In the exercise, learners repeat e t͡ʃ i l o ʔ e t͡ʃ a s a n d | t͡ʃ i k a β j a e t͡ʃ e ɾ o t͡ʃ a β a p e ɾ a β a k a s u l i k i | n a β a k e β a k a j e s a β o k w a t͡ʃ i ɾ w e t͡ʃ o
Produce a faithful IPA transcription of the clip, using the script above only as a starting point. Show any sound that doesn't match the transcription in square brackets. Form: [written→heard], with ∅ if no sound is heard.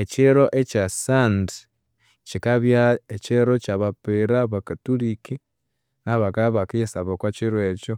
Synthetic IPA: e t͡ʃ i [l→ɾ] o ʔ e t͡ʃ a s a n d | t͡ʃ i k a β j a e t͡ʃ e ɾ o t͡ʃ a β a p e ɾ a β a k a [s→t] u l i k i | n a β a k [e→a] β a k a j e s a β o k w a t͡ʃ i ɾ w e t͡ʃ o